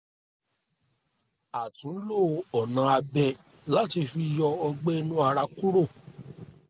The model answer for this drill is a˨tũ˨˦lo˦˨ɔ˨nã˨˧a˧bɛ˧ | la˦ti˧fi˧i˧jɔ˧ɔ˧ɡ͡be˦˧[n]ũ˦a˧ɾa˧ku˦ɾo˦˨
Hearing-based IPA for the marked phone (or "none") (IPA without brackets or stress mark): n